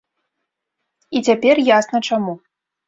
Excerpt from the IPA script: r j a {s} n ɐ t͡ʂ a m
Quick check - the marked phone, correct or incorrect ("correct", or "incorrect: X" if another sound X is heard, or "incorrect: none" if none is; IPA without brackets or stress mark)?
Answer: correct